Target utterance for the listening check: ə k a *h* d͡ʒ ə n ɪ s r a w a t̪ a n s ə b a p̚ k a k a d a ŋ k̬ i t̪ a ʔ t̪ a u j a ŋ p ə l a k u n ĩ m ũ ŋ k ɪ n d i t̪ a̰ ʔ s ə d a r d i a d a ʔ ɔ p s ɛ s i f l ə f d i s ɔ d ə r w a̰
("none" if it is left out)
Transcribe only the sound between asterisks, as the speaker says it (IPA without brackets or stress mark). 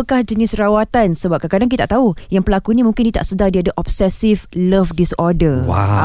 h